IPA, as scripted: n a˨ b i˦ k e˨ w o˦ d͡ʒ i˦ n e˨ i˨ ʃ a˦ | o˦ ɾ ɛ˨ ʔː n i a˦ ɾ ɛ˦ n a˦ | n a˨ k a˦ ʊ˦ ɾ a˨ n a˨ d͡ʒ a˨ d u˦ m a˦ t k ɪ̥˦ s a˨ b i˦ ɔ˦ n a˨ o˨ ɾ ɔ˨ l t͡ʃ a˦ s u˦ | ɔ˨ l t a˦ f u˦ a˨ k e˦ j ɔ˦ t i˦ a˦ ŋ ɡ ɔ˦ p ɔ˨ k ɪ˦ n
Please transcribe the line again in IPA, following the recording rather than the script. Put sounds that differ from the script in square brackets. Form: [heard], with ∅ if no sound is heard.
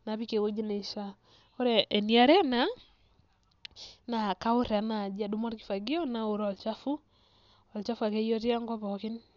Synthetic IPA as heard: n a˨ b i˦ k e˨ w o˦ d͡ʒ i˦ n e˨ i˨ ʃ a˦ | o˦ ɾ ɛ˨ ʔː n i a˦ ɾ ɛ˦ n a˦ | n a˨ k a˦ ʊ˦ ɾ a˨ n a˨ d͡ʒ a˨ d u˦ m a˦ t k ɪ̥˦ [f] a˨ [ɡ] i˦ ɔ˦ n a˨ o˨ ɾ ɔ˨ l t͡ʃ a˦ [f] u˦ | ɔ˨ l [t͡ʃ] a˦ f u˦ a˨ k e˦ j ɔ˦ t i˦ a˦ ŋ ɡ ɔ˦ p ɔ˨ k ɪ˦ n